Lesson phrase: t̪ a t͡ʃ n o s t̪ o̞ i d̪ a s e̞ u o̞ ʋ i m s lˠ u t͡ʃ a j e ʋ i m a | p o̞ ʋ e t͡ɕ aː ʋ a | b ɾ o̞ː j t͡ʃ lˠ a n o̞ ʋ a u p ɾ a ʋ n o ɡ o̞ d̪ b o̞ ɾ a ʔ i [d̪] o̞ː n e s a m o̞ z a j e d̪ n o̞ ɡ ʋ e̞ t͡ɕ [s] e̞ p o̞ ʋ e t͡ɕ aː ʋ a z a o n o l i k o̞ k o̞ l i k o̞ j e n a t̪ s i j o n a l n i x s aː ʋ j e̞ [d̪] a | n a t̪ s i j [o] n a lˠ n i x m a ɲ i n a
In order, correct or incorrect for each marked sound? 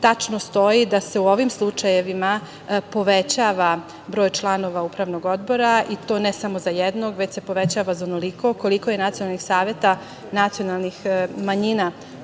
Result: incorrect: t̪, correct, incorrect: t̪, correct

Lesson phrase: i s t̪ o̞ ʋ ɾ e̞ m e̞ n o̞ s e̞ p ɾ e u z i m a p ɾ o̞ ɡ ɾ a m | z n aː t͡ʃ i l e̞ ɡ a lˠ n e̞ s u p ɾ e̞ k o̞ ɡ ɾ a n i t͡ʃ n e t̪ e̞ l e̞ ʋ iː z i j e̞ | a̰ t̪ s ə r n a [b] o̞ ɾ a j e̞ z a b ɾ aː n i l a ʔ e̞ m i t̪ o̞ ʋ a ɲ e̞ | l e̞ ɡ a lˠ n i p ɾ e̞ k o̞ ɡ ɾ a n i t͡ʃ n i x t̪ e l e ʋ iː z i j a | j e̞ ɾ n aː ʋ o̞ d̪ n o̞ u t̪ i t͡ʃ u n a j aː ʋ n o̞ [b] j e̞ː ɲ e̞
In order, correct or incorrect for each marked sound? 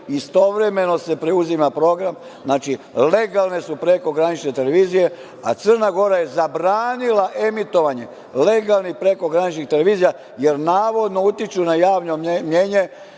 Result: incorrect: ɡ, incorrect: m

